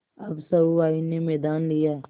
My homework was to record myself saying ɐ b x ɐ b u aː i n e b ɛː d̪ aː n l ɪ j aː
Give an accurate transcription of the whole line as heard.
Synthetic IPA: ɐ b s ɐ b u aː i n e m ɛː d̪ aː n l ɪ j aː